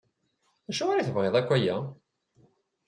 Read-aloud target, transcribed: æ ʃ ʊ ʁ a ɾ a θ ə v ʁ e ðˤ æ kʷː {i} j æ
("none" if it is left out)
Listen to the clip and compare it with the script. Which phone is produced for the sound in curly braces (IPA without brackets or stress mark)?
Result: æ